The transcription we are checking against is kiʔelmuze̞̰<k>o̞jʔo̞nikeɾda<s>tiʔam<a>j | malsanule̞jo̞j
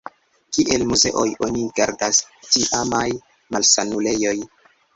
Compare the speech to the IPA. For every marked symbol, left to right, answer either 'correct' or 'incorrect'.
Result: incorrect: ʔ, correct, correct

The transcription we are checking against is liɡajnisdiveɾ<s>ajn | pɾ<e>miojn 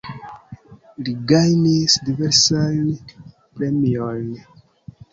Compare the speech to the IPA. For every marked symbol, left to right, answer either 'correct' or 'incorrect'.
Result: correct, correct

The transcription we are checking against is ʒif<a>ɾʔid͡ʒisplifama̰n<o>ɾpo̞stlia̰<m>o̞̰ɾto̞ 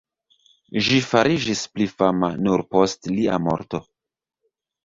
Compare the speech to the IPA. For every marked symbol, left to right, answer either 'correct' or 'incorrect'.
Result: correct, incorrect: u, correct

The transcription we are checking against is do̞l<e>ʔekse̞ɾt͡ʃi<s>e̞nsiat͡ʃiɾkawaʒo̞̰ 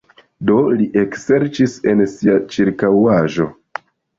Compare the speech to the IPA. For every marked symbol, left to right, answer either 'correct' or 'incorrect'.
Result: incorrect: i, correct

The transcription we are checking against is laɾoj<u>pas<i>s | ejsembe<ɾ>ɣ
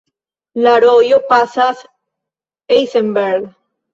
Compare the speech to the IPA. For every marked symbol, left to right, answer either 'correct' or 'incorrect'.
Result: incorrect: o, incorrect: a, correct

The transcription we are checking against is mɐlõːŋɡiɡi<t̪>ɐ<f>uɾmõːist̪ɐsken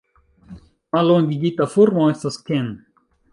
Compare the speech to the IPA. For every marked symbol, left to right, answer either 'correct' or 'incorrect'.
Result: correct, correct

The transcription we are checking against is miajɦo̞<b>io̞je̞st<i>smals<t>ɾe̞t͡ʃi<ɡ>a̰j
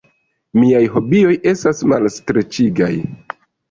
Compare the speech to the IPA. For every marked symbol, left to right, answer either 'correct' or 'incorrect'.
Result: correct, incorrect: a, correct, correct

